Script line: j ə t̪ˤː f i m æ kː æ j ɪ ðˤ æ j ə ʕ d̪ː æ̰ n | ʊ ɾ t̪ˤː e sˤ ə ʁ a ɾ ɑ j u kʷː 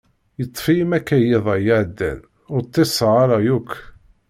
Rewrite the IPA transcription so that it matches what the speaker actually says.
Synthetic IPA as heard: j ə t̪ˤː f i m æ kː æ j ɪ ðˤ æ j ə ʕ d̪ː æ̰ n | ʊ ɾ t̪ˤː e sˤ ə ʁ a ɾ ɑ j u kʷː